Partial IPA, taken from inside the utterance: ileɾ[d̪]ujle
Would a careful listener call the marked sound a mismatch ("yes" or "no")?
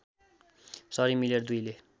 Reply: no